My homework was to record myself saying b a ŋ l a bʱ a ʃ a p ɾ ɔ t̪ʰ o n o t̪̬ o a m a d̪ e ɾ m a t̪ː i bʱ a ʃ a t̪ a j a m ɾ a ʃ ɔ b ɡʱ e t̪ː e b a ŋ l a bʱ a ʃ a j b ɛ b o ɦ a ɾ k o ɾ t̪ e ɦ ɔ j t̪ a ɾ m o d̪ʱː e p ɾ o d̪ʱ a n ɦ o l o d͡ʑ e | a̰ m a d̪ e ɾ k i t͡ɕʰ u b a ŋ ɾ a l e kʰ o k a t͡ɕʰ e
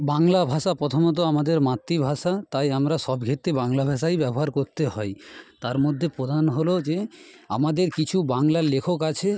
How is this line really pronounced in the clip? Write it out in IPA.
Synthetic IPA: b a ŋ l a bʱ a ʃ a p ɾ ɔ t̪ʰ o m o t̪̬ o a m a d̪ e ɾ m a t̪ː i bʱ a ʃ a t̪ a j a m ɾ a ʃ ɔ b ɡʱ e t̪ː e b a ŋ l a bʱ a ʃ a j b ɛ b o ɦ a ɾ k o ɾ t̪ e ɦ ɔ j t̪ a ɾ m o d̪ʱː e p ɾ o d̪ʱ a n ɦ o l o d͡ʑ e | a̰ m a d̪ e ɾ k i t͡ɕʰ u b a ŋ l a l e kʰ o k a t͡ɕʰ e

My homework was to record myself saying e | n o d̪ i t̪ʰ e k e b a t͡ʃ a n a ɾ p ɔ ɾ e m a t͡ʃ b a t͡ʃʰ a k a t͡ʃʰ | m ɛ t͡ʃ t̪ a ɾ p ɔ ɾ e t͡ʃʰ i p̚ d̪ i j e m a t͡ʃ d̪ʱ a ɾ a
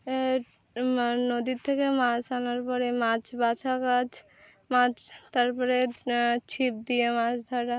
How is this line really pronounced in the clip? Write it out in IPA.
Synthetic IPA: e | n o d̪ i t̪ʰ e k e m a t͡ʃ a n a ɾ p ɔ ɾ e m a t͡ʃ b a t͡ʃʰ a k a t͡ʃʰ | m a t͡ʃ t̪ a ɾ p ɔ ɾ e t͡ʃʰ i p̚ d̪ i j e m a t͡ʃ d̪ʱ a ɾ a

